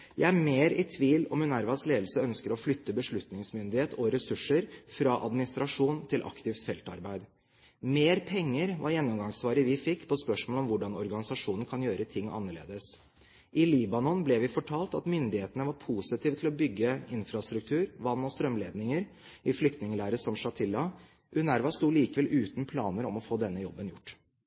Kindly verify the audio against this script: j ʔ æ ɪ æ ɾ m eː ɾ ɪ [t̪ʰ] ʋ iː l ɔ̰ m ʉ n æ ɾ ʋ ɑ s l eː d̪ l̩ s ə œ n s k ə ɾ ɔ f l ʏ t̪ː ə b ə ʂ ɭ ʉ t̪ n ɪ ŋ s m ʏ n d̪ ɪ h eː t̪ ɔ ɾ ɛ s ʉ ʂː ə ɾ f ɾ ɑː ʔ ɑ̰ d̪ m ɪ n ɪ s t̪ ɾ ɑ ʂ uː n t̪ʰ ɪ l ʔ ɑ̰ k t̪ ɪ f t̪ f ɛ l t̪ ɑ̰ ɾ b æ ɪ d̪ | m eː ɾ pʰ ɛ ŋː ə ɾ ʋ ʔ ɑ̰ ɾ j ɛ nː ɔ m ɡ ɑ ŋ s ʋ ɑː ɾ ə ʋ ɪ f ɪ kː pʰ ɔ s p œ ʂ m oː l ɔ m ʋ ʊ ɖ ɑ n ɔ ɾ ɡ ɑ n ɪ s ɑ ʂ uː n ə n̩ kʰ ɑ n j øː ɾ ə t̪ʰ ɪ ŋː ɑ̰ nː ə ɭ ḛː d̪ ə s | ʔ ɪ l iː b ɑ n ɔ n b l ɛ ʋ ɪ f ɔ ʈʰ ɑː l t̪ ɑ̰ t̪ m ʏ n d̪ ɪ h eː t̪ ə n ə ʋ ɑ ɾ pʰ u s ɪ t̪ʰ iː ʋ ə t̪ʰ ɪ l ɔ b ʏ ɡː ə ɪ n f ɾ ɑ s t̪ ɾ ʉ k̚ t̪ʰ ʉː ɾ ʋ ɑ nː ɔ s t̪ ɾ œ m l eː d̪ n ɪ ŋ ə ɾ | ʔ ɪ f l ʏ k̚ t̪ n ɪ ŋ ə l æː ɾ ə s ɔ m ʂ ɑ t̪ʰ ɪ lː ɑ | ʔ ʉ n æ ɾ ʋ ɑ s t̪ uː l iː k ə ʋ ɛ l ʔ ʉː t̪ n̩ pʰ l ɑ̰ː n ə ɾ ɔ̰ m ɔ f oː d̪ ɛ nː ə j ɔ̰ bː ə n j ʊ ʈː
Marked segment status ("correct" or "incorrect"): correct